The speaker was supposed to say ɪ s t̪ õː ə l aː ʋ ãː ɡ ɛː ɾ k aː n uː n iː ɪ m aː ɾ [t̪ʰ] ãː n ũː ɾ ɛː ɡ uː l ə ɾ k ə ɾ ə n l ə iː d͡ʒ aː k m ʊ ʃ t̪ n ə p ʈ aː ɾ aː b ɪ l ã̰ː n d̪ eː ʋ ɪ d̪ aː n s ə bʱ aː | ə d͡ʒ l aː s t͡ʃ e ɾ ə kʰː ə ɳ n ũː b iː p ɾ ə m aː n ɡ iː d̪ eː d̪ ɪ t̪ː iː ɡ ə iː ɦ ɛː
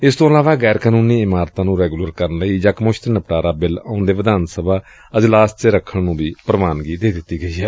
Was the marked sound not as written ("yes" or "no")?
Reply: yes